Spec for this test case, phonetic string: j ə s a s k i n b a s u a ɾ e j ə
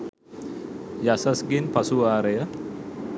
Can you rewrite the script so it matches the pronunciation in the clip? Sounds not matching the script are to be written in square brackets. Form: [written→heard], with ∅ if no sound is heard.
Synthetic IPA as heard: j [ə→a] s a s [k→ɡ] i n [b→p] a s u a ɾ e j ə